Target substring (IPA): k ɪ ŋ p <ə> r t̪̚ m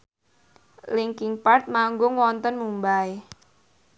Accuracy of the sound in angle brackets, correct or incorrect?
incorrect: a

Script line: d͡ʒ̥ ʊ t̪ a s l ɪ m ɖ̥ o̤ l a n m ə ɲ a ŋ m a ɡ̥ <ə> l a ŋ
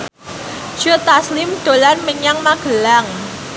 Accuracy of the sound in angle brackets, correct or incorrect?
correct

